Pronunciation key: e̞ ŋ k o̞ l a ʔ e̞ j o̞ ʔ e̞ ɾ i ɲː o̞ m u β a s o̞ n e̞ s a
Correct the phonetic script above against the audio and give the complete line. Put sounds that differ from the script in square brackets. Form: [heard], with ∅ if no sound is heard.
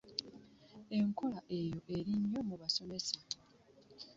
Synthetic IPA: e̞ ŋ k o̞ l a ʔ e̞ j o̞ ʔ e̞ ɾ i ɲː o̞ m u β a s o̞ [m] e̞ s a